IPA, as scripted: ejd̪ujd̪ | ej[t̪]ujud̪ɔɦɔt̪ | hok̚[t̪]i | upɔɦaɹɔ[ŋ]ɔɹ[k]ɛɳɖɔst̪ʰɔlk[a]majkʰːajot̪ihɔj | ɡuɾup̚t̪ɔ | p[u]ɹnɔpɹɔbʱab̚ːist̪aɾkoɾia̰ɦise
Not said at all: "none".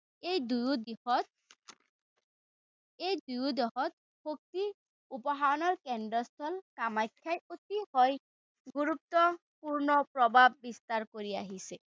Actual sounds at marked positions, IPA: d̪, t̪, n, k, a, u

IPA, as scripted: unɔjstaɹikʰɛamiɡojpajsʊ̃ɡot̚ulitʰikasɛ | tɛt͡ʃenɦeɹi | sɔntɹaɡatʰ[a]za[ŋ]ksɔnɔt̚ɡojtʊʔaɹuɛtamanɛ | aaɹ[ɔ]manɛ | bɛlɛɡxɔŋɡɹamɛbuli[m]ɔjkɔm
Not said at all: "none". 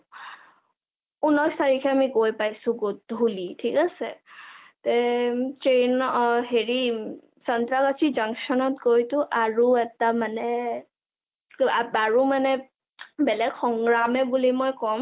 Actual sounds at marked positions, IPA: i, ŋ, u, m

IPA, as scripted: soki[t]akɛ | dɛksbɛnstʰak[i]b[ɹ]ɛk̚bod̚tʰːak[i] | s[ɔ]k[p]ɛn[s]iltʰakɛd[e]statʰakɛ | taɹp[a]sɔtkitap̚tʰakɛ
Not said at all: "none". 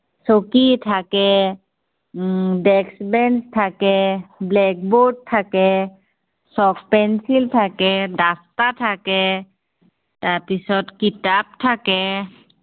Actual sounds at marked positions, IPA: tʰ, ɛ, l, ɛ, ɔ, p, s, a, i

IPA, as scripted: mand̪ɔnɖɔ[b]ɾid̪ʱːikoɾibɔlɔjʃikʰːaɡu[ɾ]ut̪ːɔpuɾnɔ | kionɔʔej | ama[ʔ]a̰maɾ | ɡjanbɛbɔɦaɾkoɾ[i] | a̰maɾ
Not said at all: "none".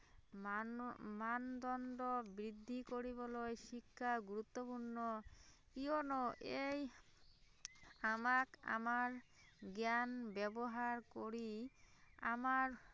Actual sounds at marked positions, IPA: b, ɾ, k, i

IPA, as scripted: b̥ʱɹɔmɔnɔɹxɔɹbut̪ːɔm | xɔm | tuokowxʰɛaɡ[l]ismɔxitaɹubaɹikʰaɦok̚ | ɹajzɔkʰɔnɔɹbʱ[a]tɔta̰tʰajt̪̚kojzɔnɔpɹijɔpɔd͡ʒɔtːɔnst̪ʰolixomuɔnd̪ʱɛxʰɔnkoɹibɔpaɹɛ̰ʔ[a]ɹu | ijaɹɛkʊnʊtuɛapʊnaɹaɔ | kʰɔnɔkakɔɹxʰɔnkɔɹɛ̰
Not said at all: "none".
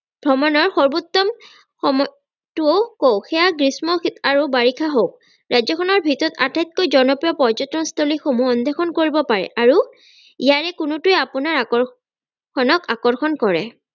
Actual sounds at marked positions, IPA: ɹ, i, a

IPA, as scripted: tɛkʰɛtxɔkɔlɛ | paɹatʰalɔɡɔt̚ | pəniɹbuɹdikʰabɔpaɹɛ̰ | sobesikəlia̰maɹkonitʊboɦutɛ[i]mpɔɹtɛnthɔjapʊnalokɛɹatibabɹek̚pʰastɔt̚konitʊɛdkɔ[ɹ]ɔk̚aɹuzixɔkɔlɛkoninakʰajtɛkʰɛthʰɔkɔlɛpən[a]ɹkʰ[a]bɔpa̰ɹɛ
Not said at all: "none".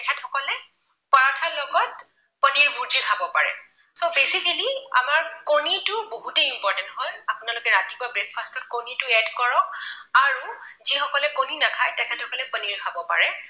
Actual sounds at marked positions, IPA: i, ɹ, i, a

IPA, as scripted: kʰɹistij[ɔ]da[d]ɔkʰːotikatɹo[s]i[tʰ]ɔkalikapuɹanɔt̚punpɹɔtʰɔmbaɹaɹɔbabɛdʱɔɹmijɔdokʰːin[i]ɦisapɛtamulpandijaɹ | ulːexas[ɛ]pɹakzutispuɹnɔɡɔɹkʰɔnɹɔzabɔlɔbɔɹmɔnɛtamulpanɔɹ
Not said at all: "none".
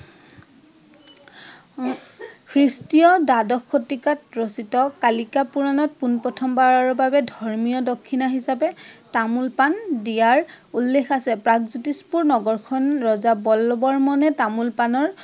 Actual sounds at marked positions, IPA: ɔ, d, s, t, a, ɛ

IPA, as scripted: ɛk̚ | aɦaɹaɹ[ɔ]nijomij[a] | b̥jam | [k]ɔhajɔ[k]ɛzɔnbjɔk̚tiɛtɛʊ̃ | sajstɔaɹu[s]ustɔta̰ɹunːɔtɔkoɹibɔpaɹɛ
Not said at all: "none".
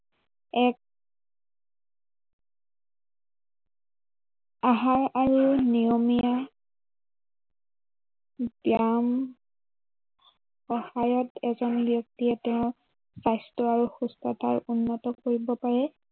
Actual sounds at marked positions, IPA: u, a, x, t, x

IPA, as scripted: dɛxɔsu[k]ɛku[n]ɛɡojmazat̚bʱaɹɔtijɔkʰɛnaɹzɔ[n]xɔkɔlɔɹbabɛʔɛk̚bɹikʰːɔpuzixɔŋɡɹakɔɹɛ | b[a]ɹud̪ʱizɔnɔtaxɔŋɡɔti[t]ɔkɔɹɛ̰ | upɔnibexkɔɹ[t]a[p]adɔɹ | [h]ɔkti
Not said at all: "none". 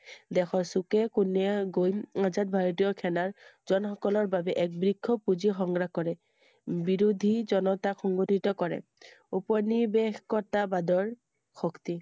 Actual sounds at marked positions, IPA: k, n, n, i, t, t, b, x

